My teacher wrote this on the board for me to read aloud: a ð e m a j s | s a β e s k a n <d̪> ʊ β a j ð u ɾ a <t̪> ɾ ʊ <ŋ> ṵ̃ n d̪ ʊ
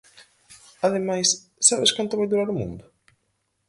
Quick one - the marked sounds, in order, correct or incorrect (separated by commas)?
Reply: incorrect, incorrect, incorrect